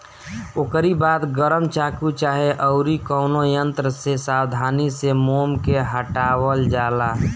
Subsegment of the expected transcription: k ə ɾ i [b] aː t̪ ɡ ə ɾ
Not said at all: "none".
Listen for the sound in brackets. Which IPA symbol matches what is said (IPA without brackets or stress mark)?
b